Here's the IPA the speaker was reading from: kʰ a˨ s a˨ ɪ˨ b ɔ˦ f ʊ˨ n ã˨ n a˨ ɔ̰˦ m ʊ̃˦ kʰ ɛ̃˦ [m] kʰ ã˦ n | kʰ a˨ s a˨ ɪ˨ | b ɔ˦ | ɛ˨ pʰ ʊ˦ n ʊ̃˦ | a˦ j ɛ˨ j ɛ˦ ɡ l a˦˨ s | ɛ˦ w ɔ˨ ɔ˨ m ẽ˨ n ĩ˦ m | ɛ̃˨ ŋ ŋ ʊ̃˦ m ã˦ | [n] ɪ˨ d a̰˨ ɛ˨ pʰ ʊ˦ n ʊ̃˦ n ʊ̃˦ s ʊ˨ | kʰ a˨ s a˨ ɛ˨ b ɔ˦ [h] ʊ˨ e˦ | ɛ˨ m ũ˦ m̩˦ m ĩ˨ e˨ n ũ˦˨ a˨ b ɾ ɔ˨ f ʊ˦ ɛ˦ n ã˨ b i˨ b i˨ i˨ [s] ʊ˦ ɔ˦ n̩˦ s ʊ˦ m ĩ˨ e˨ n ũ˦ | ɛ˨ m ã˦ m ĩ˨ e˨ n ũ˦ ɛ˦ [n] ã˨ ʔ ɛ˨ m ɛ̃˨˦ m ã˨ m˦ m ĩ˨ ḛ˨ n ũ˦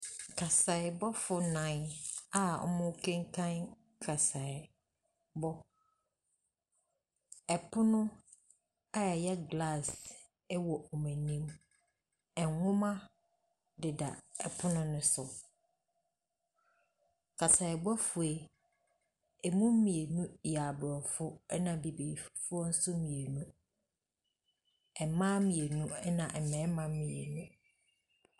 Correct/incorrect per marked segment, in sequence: incorrect, incorrect, incorrect, incorrect, correct

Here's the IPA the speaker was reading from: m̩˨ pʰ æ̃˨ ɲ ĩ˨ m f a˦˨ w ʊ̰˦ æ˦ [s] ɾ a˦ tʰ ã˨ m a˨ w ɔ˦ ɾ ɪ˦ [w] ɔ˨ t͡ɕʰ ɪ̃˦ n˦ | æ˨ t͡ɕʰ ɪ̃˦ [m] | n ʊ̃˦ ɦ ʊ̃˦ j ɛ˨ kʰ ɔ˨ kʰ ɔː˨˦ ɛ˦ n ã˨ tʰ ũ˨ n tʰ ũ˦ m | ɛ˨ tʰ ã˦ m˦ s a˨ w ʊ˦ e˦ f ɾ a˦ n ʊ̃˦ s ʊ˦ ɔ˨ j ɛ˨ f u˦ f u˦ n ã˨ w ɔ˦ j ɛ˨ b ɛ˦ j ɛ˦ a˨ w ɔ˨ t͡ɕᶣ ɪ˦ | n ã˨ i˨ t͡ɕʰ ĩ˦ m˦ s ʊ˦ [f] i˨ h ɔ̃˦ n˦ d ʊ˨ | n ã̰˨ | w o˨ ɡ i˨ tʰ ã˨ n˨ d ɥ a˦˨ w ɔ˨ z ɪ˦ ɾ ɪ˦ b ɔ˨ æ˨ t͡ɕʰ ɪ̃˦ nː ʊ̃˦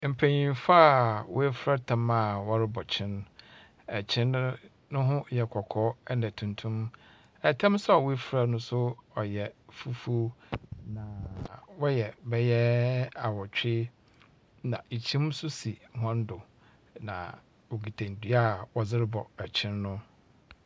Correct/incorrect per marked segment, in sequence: incorrect, incorrect, incorrect, incorrect

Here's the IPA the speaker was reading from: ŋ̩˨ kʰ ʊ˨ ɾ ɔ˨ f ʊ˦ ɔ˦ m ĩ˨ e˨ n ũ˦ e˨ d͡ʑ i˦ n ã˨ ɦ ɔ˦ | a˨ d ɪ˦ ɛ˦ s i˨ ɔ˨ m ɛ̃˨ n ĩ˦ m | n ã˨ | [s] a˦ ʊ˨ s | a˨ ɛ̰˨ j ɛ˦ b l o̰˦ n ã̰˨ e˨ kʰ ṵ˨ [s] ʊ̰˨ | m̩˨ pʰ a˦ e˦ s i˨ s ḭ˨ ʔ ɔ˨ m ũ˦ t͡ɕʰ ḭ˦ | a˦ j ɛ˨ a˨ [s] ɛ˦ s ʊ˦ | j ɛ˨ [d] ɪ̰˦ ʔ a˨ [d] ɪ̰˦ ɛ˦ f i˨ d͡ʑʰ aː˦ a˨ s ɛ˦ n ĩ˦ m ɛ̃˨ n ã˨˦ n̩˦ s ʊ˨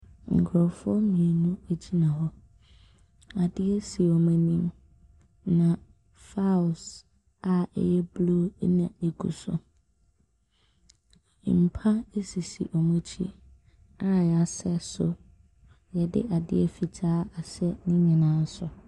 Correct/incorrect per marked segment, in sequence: incorrect, correct, correct, correct, correct

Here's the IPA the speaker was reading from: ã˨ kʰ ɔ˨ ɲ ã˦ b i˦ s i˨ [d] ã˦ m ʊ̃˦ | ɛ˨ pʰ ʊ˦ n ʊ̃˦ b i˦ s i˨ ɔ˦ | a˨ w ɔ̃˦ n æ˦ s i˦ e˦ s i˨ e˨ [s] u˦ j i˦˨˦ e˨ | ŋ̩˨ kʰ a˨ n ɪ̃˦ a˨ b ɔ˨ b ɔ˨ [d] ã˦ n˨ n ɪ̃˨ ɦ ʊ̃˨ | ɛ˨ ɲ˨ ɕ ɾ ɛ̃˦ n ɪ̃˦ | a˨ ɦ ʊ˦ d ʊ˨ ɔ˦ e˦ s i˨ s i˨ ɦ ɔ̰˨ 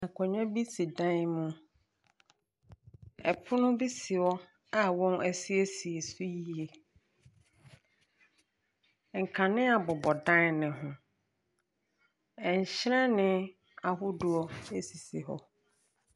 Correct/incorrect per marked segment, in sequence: correct, correct, correct

